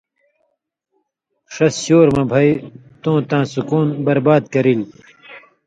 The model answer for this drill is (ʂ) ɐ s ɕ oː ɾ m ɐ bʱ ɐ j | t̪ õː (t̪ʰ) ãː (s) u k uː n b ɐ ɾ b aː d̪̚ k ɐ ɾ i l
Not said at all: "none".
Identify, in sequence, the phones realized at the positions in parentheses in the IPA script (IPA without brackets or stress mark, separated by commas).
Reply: ʂ, t̪, s